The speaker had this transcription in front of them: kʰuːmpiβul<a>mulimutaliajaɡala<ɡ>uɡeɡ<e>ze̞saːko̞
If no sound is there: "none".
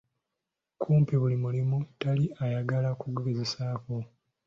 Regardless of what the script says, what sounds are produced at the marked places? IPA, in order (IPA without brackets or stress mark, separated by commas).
i, k, e